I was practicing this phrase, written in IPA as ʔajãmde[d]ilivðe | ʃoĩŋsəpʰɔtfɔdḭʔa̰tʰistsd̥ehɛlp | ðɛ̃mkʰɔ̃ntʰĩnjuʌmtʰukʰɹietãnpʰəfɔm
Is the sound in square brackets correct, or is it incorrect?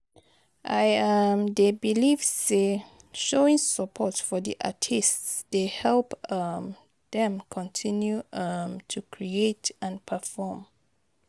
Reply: incorrect: b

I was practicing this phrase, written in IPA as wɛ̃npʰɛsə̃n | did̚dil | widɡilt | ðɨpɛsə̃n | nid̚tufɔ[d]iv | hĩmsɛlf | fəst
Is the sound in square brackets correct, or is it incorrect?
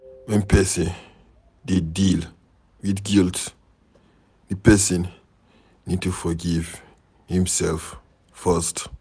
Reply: incorrect: ɡ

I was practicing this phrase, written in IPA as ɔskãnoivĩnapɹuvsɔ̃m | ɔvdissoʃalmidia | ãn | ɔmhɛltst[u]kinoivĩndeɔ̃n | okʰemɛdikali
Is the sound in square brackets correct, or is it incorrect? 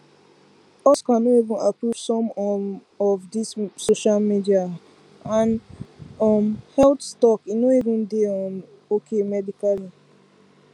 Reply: incorrect: ɔ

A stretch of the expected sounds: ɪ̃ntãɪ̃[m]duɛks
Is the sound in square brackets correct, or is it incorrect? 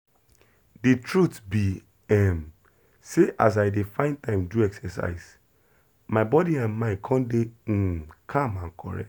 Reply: correct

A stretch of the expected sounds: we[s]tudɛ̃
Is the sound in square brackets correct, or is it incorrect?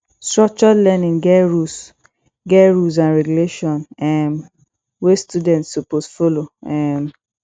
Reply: correct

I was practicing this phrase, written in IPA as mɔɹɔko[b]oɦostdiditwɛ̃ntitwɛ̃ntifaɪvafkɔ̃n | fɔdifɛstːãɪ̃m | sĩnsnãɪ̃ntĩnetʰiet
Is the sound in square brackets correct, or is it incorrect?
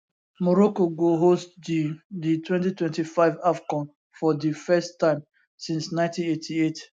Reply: incorrect: ɡ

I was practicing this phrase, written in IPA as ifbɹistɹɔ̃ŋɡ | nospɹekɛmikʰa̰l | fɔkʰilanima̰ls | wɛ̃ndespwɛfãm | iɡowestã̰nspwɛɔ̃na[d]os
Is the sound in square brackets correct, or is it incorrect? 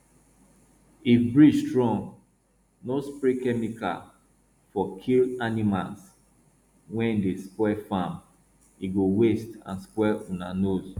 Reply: incorrect: n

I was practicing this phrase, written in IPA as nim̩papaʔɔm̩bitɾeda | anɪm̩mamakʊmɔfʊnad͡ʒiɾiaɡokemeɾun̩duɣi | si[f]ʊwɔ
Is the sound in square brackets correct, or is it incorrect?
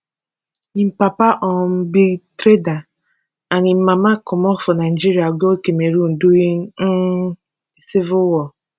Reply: incorrect: v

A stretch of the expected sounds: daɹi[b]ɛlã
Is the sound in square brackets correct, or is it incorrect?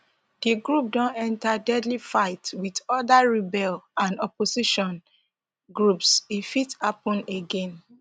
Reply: correct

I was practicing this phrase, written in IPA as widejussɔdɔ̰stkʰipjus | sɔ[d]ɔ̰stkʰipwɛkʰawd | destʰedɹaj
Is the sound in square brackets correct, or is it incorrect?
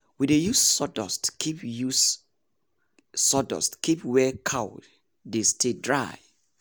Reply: correct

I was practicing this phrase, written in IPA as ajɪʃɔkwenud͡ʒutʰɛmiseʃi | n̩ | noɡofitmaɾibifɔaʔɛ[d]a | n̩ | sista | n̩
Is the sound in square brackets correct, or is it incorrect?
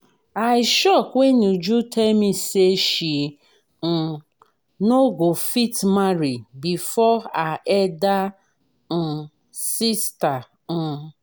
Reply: correct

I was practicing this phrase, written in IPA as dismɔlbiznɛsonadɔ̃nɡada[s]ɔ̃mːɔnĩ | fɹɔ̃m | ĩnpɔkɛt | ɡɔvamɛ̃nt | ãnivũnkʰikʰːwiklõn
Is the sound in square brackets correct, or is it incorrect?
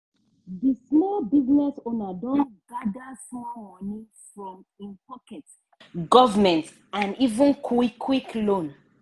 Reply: correct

